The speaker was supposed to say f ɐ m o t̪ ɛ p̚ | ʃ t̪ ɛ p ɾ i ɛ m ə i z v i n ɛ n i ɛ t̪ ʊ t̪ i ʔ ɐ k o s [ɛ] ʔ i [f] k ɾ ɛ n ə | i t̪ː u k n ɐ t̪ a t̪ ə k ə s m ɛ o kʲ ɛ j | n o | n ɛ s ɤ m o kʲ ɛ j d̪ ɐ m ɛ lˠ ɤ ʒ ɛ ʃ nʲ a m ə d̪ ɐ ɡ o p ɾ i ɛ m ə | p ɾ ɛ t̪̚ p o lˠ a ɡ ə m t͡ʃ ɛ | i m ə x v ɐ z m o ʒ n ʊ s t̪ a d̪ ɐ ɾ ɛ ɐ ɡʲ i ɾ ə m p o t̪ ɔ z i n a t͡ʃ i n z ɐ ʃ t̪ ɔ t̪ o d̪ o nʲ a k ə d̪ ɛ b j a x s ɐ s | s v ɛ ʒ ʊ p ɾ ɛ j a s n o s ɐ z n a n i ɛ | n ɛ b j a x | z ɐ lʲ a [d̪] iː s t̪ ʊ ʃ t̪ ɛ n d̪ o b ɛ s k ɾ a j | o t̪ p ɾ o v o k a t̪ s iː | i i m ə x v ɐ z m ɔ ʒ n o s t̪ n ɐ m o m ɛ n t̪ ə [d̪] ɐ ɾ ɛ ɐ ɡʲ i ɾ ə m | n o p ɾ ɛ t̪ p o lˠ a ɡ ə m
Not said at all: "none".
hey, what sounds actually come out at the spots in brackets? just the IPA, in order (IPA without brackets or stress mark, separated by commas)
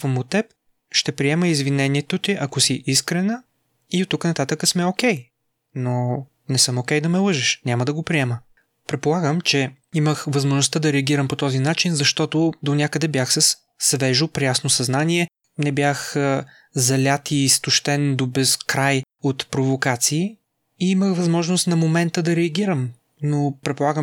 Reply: i, s, t̪, d̪